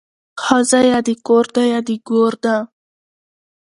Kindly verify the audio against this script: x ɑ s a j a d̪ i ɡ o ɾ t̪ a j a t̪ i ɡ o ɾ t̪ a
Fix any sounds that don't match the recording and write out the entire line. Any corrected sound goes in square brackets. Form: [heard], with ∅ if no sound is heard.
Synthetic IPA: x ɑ [z] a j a d̪ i [k] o ɾ [d̪] a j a [d̪] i ɡ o ɾ [d̪] a